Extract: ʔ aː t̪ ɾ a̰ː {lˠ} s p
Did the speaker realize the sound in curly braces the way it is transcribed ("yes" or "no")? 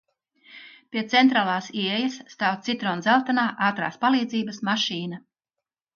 no